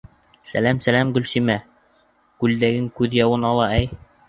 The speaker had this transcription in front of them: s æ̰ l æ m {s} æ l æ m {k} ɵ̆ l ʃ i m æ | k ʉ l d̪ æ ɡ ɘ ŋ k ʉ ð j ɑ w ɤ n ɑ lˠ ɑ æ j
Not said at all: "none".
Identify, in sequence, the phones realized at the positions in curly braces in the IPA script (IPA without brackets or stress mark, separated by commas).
s, ɡ